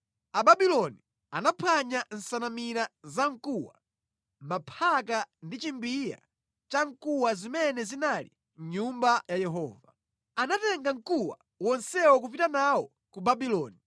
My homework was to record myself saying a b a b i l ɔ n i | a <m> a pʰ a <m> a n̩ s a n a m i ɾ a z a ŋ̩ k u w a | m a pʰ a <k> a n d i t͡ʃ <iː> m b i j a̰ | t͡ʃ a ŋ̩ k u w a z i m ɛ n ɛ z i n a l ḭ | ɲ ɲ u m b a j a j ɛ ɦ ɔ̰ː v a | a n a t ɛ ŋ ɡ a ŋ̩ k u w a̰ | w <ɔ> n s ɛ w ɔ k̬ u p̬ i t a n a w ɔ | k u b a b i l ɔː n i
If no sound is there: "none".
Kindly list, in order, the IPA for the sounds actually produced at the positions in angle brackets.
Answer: n, ɲ, k, i, ɔ

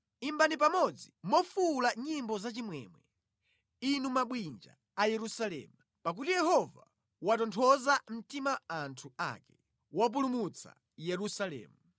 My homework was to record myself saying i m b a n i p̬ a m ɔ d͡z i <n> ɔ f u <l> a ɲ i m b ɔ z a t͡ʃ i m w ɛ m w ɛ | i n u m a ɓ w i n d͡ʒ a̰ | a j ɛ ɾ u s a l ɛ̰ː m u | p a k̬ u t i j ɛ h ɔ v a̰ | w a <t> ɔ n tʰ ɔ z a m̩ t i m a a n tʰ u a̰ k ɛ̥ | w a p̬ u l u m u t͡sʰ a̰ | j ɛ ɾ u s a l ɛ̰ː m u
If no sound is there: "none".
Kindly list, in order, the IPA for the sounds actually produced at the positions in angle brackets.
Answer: m, l, t

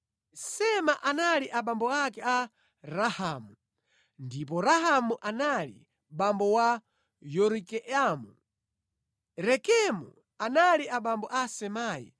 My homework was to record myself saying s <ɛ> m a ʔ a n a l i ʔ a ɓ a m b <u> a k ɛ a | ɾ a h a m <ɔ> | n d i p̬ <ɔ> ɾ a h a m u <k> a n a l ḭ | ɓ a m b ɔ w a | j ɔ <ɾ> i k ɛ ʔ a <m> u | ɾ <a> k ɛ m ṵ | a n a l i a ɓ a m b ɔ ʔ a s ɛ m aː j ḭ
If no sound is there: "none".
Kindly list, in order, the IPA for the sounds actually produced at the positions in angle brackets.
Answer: ɛ, ɔ, u, ɔ, ʔ, ɾ, m, ɛ

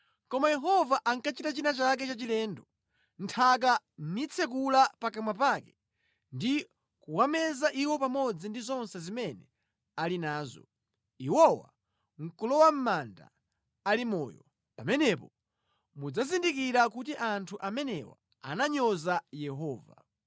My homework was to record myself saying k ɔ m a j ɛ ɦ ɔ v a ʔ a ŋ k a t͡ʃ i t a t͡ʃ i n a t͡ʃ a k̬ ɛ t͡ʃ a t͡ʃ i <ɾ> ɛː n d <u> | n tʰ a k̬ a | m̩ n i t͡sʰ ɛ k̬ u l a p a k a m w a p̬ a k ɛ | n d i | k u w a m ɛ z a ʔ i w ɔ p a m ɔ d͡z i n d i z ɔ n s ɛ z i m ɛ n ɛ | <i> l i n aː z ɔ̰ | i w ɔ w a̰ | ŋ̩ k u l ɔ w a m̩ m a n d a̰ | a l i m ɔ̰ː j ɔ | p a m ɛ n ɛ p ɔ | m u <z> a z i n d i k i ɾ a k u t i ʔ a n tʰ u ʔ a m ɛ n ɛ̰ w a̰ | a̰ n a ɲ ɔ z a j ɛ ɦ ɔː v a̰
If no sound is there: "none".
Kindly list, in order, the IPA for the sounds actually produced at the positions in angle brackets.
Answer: l, ɔ, a, d͡z

